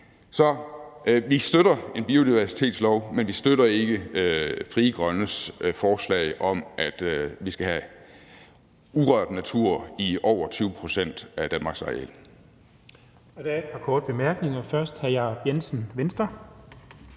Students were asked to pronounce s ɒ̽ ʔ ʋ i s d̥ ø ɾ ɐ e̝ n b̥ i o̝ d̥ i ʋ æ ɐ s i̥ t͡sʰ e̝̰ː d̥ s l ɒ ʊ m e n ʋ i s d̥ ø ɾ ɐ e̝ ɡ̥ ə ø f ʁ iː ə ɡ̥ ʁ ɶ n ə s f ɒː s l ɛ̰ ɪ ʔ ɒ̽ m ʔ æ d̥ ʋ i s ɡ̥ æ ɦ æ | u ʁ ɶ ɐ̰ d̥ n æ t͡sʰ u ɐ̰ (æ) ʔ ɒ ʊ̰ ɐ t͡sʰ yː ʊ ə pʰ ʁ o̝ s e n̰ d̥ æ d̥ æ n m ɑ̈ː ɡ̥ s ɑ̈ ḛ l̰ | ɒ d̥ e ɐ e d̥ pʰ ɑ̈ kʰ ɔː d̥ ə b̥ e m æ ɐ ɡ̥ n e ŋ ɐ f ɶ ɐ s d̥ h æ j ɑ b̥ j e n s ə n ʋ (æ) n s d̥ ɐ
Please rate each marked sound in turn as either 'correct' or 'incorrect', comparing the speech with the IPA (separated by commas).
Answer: incorrect, incorrect